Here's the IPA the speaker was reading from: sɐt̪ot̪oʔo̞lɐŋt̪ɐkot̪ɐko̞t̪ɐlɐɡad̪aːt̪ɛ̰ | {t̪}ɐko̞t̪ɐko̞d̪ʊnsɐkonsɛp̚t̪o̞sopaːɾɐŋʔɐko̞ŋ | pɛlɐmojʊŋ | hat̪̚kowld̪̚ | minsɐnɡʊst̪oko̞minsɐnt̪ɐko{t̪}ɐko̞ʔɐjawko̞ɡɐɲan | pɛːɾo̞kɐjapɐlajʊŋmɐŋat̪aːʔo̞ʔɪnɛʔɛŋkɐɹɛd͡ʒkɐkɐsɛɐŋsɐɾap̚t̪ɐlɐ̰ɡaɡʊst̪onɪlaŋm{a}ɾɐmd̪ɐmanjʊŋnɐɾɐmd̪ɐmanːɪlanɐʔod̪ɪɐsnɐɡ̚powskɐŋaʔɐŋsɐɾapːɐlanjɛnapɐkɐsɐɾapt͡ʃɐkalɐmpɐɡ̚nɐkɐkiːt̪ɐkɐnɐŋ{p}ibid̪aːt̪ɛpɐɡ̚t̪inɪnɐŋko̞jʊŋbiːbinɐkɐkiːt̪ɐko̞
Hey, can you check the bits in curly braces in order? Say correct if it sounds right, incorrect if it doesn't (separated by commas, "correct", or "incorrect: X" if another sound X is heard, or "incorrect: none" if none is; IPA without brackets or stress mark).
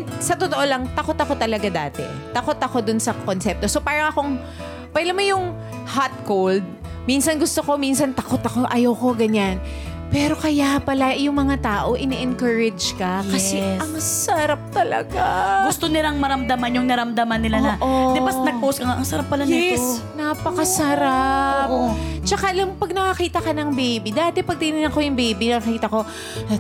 correct, correct, incorrect: ɐ, incorrect: b